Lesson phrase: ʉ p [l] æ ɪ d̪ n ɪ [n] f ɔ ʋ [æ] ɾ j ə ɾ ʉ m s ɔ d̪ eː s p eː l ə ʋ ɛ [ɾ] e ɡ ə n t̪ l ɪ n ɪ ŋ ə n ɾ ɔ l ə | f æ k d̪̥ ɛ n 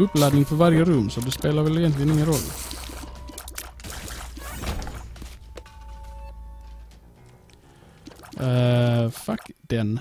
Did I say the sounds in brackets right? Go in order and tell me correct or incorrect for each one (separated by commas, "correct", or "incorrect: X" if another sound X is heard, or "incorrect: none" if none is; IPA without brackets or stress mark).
correct, incorrect: ŋ, correct, incorrect: l